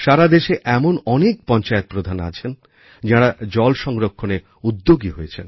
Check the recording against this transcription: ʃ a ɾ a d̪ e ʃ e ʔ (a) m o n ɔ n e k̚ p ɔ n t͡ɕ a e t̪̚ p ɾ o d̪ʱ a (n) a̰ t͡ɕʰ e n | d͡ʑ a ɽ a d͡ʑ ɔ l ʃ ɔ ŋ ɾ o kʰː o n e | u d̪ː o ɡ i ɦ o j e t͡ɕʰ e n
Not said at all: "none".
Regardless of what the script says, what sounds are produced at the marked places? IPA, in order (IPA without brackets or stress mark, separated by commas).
ɛ, n